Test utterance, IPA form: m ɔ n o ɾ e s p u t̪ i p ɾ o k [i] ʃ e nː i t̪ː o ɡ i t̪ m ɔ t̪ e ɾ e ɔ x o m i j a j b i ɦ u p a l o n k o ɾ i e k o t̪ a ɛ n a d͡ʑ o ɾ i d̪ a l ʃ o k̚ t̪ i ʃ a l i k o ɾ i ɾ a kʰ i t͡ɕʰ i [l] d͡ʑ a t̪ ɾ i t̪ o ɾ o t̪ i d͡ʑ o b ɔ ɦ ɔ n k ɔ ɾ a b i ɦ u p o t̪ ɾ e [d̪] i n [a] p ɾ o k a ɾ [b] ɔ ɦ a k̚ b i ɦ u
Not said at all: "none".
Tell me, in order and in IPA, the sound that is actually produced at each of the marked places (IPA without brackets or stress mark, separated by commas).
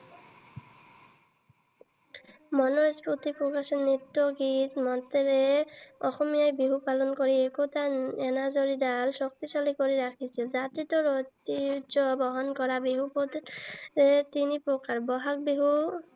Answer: a, l, t̪, i, b